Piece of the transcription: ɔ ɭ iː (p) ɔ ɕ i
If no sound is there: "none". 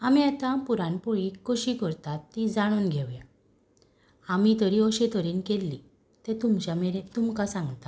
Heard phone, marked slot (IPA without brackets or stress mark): k